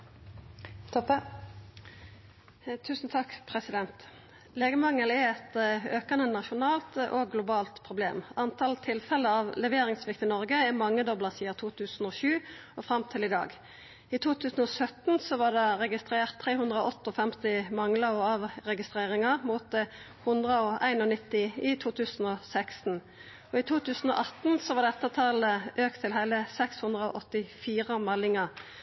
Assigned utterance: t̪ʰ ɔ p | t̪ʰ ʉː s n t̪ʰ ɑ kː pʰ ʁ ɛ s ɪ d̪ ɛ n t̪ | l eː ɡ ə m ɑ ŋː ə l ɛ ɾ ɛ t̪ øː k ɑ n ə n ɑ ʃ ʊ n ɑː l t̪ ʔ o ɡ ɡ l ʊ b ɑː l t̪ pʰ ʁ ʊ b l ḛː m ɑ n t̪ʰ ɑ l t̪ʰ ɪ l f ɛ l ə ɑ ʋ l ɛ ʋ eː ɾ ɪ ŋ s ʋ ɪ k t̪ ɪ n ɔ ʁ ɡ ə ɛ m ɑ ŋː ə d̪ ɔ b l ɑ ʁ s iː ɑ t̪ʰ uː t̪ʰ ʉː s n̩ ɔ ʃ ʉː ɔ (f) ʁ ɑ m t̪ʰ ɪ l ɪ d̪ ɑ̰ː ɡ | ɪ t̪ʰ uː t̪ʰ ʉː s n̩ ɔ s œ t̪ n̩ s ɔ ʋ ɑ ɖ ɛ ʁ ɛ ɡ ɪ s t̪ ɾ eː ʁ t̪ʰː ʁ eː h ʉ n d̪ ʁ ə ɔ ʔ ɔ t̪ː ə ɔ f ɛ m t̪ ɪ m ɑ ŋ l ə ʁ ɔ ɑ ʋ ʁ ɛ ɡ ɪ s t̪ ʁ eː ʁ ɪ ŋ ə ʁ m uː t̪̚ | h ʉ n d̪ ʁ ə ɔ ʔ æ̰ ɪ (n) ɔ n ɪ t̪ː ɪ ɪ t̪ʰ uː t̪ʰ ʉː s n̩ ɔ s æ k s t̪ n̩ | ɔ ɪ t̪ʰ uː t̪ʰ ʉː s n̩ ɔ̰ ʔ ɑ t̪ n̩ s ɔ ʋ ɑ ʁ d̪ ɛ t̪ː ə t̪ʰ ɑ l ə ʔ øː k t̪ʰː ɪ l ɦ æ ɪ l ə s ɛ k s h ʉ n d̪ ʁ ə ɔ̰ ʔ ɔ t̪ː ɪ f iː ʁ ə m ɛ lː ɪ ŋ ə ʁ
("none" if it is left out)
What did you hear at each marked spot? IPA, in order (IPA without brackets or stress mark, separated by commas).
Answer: f, n